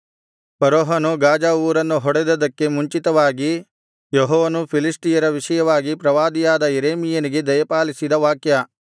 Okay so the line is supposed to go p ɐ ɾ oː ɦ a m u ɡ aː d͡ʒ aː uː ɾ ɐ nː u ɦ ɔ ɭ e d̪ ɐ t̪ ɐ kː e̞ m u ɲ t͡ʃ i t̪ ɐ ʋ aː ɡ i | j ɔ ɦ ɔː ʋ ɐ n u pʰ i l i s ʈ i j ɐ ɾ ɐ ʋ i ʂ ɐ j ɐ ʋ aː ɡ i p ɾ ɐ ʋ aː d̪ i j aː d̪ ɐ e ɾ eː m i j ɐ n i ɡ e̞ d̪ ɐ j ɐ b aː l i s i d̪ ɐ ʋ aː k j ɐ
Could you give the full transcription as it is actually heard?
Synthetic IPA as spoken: p ɐ ɾ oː ɦ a n u ɡ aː d͡ʒ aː uː ɾ ɐ nː u ɦ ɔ ɽ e d̪ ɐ d̪ ɐ kː e̞ m u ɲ t͡ʃ i t̪ ɐ ʋ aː ɡ i | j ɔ ɦ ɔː ʋ ɐ n u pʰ i l i s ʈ i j ɐ ɾ ɐ ʋ i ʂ ɐ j ɐ ʋ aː ɡ i p ɾ ɐ ʋ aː d̪ i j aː d̪ ɐ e ɾ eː m i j ɐ n i ɡ e̞ d̪ ɐ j ɐ p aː l i s i d̪ ɐ ʋ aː k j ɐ